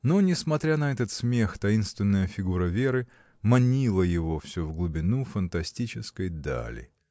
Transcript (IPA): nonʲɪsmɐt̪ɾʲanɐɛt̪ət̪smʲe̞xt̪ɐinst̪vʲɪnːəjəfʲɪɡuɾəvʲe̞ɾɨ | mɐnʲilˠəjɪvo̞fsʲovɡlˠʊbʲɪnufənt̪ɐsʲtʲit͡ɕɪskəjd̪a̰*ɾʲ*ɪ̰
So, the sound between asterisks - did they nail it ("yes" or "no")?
no